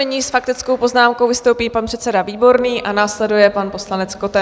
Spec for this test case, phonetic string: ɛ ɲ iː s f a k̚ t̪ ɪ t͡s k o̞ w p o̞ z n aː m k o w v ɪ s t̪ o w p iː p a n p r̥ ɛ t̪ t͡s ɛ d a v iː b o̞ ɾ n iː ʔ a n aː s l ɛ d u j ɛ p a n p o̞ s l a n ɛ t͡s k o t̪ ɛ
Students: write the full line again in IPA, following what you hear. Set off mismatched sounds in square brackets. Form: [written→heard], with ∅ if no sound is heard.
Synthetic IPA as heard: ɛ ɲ iː s f a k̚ t̪ ɪ t͡s k o̞ w p o̞ z n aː m k o w v ɪ s t̪ o w p iː p a n p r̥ ɛ t̪ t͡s ɛ d a v iː b o̞ ɾ n iː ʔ a n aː s l ɛ d u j ɛ p a n p o̞ s l a n ɛ t͡s k o t̪ ɛ